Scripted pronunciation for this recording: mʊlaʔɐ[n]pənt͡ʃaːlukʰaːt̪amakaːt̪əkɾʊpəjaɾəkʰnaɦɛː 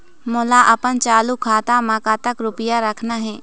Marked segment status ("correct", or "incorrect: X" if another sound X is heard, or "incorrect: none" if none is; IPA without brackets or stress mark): incorrect: none